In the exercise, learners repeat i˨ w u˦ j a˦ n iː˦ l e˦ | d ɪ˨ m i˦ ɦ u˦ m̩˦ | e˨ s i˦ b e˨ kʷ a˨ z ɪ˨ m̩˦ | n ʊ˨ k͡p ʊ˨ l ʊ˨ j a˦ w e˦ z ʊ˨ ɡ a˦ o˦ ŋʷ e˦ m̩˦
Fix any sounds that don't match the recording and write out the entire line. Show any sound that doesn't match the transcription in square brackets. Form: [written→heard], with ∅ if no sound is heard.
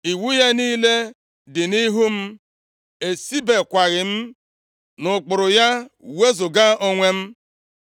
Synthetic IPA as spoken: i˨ w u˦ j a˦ n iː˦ l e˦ | d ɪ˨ [m→n] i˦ ɦ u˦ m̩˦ | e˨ s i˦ b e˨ kʷ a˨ [z→ɣ] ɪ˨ m̩˦ | n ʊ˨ k͡p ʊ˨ [l→ɾ] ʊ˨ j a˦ w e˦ z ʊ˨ ɡ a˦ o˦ ŋʷ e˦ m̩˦

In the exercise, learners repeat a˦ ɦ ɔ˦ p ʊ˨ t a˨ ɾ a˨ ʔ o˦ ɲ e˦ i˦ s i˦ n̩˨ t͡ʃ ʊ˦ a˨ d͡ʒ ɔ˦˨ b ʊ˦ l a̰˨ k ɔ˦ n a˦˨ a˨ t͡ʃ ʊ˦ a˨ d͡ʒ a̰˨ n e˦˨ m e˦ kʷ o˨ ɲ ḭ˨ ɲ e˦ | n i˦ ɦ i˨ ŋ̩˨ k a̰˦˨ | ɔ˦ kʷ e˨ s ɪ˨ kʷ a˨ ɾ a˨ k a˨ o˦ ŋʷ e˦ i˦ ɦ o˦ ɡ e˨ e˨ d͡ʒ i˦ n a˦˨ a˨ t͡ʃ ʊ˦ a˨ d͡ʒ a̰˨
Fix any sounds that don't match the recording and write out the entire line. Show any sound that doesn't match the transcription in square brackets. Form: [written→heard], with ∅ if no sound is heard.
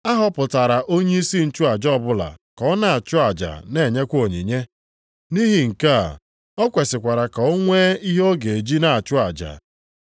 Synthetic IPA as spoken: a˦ ɦ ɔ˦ p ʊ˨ t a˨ ɾ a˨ ʔ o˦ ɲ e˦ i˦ s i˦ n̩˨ t͡ʃ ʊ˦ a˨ d͡ʒ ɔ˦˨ b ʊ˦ l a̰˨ k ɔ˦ n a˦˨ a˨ t͡ʃ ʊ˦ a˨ d͡ʒ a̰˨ n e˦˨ [m→ɲ] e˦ kʷ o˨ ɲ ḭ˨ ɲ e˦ | n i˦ ɦ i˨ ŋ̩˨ k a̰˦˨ | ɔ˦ kʷ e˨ s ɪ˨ kʷ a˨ ɾ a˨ k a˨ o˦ ŋʷ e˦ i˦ ɦ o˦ ɡ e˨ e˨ d͡ʒ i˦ n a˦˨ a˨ t͡ʃ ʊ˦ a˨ d͡ʒ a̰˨

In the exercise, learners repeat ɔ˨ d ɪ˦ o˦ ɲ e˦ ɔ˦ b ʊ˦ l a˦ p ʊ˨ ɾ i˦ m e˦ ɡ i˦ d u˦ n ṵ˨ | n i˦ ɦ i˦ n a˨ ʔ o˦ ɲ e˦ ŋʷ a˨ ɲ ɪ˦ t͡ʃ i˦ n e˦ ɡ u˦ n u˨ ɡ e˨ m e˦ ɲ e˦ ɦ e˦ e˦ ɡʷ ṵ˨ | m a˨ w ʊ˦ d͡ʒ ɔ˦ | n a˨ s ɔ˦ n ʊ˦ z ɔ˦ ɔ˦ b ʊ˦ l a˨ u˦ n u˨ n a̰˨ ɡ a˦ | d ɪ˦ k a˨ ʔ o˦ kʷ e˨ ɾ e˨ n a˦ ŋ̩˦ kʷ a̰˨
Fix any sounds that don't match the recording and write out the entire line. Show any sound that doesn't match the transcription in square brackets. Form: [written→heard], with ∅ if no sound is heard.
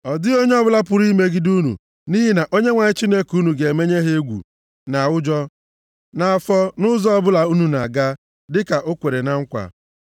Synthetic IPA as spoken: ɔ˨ d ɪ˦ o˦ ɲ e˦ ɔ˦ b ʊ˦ l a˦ p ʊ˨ ɾ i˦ m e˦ ɡ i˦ d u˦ n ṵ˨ | n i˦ ɦ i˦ n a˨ ʔ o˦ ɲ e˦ ŋʷ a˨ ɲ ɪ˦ t͡ʃ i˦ n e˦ [ɡ→k] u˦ n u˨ ɡ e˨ m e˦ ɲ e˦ ɦ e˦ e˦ ɡʷ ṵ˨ | [m→n] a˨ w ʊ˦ d͡ʒ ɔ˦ | n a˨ [s→f] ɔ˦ n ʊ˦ z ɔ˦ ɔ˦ b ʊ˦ l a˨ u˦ n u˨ n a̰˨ ɡ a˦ | d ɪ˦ k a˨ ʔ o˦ kʷ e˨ ɾ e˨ n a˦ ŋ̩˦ kʷ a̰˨

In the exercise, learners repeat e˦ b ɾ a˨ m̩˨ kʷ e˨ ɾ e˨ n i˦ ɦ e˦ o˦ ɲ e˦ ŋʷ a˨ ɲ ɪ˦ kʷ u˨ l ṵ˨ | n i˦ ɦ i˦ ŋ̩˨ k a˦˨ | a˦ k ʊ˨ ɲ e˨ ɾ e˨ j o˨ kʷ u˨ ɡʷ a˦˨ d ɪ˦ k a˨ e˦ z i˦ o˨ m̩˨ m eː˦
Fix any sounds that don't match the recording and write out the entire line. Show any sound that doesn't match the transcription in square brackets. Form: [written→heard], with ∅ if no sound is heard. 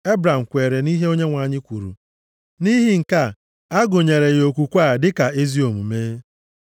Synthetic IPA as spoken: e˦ b ɾ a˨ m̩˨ kʷ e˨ ɾ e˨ n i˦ ɦ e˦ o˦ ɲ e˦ ŋʷ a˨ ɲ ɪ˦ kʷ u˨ [l→ɾ] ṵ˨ | n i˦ ɦ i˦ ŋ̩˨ k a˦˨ | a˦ [k→ɡ] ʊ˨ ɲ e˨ ɾ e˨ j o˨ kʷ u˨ [ɡʷ→kʷ] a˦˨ d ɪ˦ k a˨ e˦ z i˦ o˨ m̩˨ m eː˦

